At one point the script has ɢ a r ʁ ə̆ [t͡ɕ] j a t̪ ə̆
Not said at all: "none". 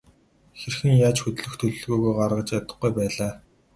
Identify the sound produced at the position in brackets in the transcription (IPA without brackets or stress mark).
t͡ɕ